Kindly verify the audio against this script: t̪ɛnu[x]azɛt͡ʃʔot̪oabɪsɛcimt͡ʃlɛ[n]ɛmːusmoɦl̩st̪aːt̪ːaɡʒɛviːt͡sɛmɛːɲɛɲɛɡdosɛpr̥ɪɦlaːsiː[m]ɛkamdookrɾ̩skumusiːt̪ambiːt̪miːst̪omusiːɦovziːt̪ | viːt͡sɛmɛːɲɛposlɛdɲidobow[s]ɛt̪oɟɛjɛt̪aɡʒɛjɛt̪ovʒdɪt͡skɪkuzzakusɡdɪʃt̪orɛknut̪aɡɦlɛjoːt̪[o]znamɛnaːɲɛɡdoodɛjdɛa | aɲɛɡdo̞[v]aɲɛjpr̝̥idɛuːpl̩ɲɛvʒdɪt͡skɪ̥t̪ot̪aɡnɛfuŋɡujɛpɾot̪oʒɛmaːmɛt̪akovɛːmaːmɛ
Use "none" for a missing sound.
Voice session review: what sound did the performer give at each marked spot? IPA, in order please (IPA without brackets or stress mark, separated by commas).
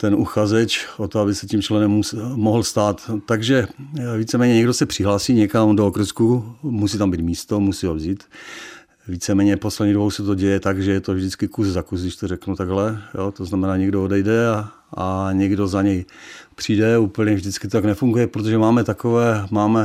x, n, ɲ, s, o, z